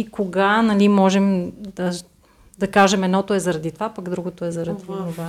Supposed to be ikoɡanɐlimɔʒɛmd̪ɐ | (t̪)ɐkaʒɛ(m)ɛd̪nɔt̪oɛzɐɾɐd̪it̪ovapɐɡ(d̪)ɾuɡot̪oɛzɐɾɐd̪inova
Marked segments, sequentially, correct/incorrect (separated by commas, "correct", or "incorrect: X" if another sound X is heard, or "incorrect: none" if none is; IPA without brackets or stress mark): incorrect: d̪, correct, correct